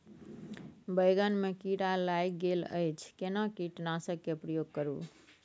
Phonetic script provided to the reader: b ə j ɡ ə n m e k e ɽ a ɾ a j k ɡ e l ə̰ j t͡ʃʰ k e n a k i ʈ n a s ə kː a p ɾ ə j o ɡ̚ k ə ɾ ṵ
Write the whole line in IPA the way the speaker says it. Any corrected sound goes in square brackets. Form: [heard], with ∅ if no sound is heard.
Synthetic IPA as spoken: b ə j ɡ ə n m e k [i] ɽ a [l] a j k ɡ e l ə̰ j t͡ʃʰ k e n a k i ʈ n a s ə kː [e] p ɾ ə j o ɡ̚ k ə ɾ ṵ